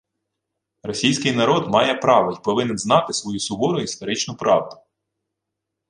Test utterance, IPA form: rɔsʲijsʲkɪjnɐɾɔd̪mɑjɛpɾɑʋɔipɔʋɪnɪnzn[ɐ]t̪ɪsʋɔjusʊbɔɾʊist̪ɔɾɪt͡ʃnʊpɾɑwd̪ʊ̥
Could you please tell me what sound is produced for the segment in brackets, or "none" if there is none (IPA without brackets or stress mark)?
ɑ